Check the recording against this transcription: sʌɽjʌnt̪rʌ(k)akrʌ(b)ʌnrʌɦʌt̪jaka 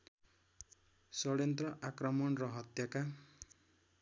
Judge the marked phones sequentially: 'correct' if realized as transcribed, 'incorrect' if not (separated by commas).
incorrect, incorrect